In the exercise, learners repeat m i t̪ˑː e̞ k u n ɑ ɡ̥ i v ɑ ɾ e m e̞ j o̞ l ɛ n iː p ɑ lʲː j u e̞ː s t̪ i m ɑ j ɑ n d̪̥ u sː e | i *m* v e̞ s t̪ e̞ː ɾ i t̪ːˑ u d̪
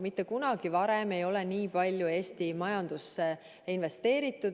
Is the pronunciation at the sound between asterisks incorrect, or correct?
incorrect: n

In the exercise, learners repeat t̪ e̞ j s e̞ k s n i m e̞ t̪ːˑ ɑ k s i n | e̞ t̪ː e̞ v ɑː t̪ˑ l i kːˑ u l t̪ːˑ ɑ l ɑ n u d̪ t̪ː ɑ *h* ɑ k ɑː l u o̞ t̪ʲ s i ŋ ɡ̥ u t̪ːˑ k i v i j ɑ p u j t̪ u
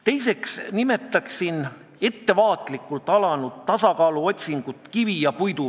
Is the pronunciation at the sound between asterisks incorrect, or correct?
incorrect: s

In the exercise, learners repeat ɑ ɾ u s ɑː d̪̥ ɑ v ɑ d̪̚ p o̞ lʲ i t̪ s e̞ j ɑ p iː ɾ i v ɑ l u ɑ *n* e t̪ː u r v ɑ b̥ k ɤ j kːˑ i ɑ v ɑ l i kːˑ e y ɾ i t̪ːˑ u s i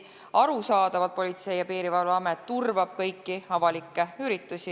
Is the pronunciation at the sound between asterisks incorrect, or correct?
incorrect: m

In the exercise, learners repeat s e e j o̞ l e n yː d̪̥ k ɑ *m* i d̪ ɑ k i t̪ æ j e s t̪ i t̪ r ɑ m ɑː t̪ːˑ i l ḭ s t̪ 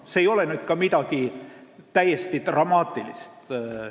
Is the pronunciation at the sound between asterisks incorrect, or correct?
correct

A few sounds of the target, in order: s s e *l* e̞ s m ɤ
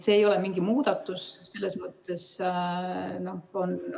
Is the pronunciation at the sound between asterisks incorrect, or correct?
incorrect: lː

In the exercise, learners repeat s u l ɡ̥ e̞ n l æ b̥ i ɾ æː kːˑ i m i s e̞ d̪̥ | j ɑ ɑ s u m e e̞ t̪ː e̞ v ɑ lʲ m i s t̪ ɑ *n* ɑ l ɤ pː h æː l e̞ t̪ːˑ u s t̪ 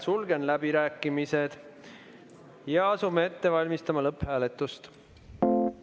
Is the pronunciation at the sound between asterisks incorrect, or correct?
incorrect: m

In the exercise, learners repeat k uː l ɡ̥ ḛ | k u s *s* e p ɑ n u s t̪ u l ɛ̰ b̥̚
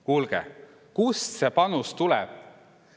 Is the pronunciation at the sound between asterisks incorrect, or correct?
correct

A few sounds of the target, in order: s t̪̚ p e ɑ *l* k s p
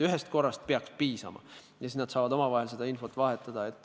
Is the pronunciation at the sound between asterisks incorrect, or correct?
incorrect: none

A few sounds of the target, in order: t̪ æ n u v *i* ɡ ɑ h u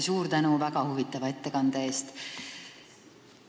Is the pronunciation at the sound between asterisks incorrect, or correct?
incorrect: æ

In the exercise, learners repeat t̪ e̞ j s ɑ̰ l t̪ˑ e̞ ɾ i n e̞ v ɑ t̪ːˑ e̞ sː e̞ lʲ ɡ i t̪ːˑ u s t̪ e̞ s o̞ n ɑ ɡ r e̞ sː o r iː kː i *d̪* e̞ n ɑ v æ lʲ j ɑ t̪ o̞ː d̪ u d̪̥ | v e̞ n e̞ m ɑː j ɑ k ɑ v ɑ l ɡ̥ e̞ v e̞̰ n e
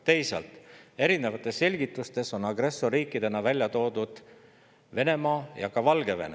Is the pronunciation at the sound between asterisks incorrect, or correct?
correct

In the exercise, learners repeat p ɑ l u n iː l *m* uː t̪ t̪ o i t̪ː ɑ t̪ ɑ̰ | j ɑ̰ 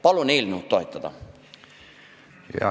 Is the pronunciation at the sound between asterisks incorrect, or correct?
incorrect: n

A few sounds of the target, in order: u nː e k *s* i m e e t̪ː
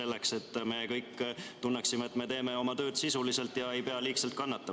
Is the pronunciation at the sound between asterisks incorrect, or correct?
correct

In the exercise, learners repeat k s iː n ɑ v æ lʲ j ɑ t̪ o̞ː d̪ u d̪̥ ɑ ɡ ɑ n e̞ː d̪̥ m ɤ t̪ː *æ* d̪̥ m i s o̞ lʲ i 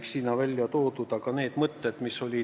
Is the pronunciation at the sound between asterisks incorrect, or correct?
incorrect: e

